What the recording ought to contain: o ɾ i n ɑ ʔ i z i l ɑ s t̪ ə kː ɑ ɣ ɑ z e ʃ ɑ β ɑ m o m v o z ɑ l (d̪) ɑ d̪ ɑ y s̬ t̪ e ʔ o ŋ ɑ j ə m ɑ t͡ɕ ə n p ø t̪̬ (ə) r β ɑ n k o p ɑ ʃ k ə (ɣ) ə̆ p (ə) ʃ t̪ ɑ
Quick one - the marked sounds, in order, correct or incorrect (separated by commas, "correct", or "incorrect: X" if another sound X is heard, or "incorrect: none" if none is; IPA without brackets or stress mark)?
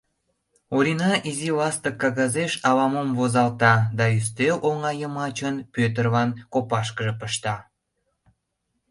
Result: incorrect: t̪, correct, incorrect: ʒ, correct